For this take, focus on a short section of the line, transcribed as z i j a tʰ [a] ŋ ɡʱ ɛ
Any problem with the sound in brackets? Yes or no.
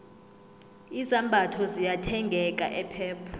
yes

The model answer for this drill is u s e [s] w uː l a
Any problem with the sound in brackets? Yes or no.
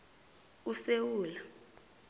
yes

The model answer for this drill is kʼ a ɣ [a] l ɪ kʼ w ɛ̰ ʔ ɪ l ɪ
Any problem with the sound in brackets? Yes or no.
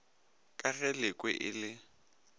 yes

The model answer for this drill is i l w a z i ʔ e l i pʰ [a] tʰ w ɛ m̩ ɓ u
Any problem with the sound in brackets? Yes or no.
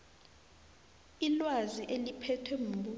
yes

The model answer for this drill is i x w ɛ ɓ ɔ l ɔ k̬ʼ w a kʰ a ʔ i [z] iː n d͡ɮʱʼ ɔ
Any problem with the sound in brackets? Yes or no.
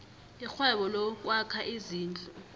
no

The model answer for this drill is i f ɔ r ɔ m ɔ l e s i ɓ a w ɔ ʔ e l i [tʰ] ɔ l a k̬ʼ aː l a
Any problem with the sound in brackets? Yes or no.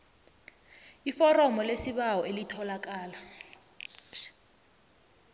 no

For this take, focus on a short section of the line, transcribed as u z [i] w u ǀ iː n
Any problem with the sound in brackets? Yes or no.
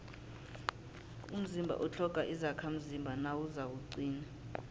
yes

